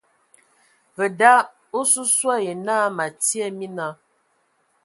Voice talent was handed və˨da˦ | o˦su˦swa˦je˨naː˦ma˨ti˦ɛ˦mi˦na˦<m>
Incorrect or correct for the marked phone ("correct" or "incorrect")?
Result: incorrect